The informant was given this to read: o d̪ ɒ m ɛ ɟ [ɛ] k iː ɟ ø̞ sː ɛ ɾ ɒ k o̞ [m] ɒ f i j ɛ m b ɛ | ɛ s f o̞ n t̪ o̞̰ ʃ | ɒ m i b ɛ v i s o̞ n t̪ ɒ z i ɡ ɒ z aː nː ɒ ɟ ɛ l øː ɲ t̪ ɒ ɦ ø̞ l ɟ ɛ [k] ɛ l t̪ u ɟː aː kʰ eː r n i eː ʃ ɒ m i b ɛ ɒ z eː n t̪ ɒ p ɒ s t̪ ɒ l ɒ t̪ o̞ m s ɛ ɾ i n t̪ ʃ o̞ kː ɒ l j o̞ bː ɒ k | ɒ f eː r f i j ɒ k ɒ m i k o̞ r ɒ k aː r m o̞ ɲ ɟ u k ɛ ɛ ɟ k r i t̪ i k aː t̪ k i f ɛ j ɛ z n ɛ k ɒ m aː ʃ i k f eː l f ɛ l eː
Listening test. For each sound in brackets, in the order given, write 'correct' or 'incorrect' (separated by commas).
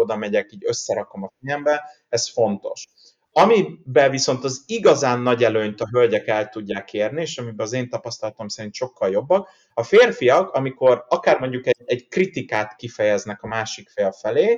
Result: correct, correct, correct